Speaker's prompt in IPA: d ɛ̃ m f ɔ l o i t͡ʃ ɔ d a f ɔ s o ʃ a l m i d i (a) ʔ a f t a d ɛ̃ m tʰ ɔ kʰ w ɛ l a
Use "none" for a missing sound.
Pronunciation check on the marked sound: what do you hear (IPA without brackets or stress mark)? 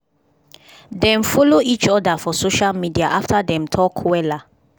a